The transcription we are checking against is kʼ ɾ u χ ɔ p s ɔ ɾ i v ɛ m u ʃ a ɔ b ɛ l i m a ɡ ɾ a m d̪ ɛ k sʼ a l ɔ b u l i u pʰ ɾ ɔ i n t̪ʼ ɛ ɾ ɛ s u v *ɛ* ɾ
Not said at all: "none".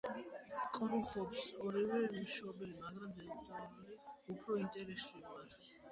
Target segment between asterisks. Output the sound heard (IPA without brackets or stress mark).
a